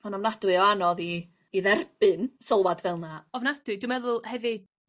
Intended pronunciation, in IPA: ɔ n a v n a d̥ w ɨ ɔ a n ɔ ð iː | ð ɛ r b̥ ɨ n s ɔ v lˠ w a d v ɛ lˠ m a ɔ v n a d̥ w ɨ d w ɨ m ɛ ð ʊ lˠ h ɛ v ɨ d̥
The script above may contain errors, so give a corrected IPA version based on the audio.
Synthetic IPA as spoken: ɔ n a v n a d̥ w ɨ ɔ a n ɔ ð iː | ð ɛ r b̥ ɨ n s ɔ lˠ w a d v ɛ lˠ n a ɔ v n a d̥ w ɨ d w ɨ m ɛ ð ʊ lˠ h ɛ v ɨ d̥